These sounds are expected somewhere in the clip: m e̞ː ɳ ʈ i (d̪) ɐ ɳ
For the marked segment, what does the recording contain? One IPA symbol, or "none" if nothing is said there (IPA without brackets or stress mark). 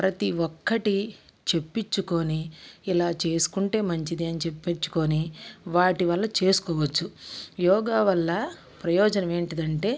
d̪